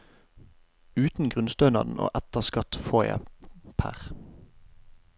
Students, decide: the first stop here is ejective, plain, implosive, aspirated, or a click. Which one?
plain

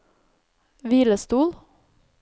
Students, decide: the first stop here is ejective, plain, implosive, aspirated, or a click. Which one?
plain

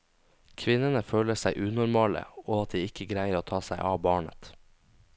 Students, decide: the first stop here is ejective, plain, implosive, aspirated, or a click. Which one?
aspirated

